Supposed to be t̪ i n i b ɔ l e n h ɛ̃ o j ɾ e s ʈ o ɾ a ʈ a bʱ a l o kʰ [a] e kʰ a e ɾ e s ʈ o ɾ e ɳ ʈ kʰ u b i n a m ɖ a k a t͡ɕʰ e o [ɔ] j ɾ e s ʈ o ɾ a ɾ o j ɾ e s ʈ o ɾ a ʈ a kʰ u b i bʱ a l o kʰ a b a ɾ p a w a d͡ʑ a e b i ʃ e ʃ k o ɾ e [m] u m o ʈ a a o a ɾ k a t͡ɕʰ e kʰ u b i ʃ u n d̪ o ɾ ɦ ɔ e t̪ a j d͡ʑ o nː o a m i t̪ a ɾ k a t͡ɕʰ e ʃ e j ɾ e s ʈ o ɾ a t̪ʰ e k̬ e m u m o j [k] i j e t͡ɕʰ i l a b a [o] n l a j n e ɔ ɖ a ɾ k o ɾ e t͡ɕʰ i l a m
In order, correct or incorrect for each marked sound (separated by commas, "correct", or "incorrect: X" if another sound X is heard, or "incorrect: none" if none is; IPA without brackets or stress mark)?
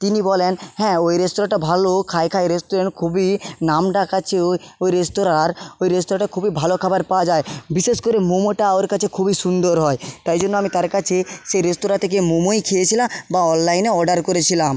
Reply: correct, incorrect: o, correct, incorrect: kʰ, incorrect: ɔ